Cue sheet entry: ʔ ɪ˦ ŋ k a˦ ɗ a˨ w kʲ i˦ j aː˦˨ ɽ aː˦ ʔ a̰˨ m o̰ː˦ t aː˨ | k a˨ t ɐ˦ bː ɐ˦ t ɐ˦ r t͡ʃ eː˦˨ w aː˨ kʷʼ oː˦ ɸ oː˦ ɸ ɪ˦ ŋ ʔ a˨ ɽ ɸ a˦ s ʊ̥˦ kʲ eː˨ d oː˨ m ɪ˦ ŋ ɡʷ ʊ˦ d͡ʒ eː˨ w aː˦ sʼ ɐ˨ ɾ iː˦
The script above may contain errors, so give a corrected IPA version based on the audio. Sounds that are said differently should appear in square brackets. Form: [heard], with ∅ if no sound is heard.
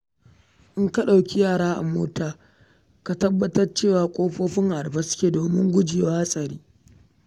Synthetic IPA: ʔ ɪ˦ ŋ k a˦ ɗ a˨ w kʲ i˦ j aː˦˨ ɽ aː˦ ʔ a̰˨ m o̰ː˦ t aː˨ | k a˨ t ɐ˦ bː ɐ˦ t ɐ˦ r t͡ʃ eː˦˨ w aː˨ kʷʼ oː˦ ɸ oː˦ ɸ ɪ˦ ŋ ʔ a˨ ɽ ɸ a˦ s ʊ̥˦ kʲ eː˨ d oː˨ m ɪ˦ ŋ ɡʷ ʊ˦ d͡ʒ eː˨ w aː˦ sʼ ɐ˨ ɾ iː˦